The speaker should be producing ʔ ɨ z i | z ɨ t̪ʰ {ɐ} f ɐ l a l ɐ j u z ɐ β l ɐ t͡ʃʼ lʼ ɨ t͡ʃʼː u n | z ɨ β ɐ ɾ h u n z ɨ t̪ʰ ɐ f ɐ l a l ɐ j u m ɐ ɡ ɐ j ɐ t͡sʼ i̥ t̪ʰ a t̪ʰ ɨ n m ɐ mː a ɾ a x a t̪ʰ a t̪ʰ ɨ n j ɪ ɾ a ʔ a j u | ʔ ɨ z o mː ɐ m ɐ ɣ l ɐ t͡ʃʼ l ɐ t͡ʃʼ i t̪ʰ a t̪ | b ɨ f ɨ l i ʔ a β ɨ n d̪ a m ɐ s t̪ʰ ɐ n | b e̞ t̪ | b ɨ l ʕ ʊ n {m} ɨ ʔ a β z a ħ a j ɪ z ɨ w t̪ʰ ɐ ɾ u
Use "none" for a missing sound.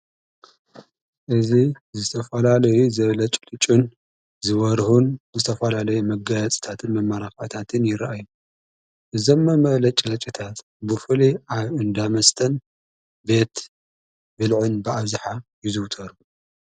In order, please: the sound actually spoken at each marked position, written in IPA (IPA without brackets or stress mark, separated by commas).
ɐ, b